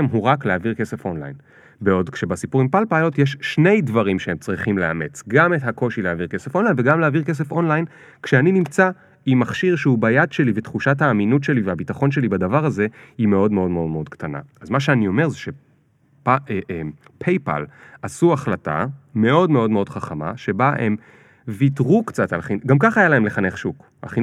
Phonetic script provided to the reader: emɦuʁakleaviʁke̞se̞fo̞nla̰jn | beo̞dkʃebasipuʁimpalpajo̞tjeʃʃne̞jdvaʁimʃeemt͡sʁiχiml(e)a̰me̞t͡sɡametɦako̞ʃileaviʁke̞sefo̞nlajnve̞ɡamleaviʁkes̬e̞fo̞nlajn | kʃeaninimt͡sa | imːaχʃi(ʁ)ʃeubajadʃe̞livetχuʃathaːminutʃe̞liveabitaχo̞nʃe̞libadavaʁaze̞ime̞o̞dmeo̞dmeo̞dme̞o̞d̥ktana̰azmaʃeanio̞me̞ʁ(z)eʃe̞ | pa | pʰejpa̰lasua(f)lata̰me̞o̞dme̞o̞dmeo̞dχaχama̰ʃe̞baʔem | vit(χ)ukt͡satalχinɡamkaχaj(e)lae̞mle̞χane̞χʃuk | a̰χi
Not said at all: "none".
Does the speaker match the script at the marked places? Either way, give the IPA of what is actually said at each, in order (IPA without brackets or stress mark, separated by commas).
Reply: e, ʁ, z, χ, ʁ, a